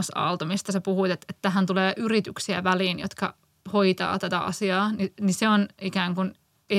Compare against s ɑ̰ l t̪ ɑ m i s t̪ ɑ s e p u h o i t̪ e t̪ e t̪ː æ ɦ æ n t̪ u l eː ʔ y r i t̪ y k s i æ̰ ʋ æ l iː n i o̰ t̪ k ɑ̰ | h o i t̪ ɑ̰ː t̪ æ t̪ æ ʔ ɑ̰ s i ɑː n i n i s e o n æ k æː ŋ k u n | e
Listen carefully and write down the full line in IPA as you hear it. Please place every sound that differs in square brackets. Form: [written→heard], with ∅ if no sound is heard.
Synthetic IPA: s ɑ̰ l t̪ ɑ m i s t̪ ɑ s e p u h [o→u] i t̪ e t̪ e t̪ː æ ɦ æ n t̪ u l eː ʔ y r i t̪ y k s i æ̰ ʋ æ l iː n [i→j] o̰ t̪ k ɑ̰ | h o i t̪ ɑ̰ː t̪ æ t̪ æ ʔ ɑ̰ s i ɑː n i n i s e o n [æ→i] k æː ŋ k u n | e